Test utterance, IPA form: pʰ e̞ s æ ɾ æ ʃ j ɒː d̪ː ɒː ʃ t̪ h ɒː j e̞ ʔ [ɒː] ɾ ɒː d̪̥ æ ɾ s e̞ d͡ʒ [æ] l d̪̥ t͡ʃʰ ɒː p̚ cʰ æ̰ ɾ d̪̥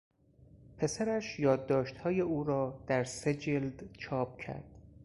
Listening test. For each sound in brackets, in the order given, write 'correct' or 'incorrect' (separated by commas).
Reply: incorrect, incorrect